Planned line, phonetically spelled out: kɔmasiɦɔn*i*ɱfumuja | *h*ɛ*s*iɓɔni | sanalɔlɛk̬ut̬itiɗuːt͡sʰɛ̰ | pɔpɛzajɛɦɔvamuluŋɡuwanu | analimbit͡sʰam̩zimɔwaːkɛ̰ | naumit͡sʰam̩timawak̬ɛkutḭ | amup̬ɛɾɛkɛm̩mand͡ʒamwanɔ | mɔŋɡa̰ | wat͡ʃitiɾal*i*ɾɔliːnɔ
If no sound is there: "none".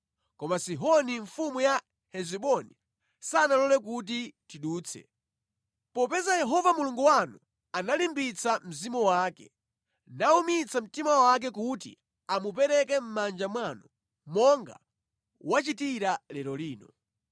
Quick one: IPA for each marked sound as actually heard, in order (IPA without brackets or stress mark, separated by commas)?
i, h, z, ɛ